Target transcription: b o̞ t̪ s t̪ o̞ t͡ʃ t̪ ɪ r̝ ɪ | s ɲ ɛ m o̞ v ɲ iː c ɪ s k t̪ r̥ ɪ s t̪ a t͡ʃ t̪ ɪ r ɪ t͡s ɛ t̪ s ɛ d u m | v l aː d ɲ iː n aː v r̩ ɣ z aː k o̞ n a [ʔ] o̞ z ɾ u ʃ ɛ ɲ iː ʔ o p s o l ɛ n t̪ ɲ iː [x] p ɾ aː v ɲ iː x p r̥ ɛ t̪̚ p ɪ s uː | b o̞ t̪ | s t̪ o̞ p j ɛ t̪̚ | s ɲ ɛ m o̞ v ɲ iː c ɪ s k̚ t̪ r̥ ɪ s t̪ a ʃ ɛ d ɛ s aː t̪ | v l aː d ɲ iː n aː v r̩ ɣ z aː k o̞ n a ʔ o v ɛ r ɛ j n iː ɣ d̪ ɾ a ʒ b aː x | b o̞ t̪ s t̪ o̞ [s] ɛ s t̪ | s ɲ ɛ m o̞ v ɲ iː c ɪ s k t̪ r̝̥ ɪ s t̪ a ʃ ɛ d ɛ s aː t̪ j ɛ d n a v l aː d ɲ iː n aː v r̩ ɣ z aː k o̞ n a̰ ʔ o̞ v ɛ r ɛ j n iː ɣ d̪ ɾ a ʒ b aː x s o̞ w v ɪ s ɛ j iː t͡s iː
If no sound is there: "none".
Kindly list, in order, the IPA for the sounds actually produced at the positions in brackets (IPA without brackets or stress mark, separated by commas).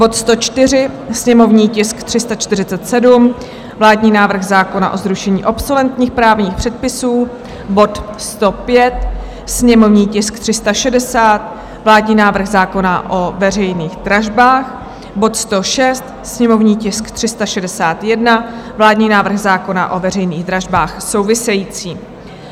ʔ, x, ʃ